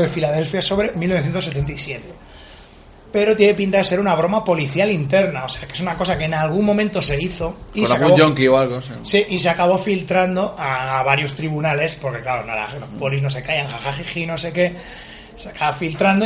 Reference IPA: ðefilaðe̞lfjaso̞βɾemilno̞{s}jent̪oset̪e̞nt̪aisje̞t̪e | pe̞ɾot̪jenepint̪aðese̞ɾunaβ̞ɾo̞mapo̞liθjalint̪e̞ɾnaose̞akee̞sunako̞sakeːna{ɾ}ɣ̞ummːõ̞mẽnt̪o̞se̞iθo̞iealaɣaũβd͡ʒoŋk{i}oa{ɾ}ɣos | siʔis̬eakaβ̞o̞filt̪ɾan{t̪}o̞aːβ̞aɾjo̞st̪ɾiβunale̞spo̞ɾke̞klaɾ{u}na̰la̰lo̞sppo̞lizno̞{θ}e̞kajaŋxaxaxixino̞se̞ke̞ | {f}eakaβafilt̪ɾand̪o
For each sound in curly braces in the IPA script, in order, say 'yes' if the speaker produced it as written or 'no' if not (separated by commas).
no, no, yes, no, no, no, no, no